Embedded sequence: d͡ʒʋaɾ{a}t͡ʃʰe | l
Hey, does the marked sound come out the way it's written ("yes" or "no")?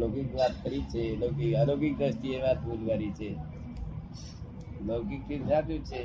no